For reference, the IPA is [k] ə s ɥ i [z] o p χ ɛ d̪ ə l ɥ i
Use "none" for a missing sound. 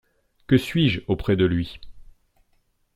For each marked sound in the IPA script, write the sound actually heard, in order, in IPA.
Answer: k, ʒ

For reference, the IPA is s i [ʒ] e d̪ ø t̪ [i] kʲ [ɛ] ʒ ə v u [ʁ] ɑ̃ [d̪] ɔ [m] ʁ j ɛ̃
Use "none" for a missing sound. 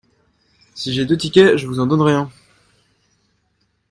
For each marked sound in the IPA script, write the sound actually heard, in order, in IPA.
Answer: ʒ, i, ɛ, z, d̪, n

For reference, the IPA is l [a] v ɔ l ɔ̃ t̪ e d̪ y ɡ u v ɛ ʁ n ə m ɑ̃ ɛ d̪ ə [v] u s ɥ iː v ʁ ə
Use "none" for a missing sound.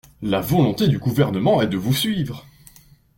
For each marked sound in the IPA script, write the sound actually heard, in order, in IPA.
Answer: a, v

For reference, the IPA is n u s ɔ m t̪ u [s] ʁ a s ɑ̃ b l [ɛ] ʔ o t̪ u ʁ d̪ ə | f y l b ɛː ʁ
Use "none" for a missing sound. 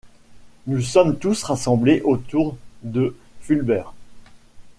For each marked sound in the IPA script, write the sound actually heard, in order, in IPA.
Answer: s, e

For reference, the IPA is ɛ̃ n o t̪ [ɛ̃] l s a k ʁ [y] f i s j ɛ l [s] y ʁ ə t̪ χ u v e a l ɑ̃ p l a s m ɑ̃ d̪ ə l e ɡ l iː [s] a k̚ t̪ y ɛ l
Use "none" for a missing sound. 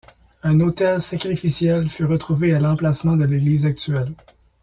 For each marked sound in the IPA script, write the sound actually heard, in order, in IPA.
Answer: ɛ, i, f, z

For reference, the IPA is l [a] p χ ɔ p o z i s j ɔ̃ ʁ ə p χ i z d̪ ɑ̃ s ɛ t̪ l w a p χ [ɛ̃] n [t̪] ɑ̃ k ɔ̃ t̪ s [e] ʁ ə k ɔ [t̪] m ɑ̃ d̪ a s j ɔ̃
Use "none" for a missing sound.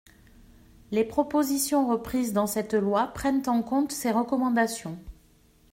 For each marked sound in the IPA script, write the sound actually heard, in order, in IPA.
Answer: e, ɛ, t̪, e, none

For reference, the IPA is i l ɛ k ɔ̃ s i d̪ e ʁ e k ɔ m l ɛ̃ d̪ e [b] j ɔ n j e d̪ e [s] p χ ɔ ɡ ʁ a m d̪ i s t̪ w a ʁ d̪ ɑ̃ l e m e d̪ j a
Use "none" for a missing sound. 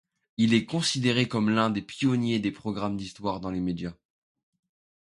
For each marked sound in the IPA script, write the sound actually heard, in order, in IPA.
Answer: p, none

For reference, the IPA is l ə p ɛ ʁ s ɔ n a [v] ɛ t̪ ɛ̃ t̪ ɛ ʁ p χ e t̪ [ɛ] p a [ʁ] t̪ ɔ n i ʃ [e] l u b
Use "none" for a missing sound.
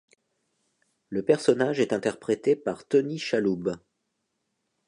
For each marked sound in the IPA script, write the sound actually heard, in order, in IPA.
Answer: ʒ, e, ʁ, a

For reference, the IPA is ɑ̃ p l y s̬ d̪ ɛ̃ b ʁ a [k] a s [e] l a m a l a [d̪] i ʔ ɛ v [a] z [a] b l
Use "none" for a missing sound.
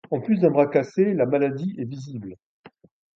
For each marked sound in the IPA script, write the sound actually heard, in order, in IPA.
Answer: k, e, d̪, i, i

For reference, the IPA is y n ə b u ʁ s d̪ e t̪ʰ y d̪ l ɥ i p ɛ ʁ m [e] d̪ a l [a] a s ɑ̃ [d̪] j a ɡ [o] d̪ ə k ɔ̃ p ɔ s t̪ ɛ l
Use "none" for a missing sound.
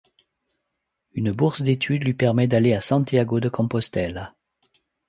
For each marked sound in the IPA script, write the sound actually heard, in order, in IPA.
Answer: ɛ, e, t̪, o

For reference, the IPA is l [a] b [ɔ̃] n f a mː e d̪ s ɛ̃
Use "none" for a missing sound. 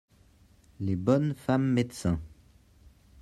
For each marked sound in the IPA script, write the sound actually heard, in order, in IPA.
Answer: e, ɔ

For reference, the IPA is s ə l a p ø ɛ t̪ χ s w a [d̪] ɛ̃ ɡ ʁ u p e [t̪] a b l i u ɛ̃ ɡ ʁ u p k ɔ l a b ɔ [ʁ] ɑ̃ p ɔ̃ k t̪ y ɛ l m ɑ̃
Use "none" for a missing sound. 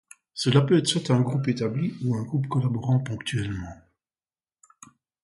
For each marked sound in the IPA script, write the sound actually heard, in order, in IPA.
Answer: t̪, t̪, ʁ

